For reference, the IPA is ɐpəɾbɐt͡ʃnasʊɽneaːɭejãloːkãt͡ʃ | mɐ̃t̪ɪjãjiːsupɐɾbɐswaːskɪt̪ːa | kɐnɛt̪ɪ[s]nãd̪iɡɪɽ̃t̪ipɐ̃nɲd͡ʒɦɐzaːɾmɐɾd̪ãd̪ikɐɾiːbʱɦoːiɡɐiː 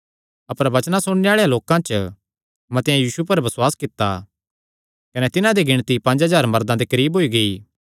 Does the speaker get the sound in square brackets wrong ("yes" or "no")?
yes